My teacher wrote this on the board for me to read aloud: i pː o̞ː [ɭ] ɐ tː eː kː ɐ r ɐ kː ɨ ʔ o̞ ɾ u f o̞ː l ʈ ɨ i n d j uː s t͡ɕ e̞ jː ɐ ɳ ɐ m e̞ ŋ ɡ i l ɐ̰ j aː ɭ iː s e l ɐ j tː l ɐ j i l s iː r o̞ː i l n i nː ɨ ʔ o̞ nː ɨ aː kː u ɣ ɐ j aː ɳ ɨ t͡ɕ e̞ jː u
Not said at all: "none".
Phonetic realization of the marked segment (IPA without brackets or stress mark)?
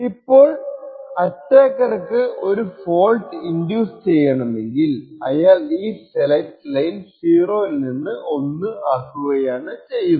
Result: ɭ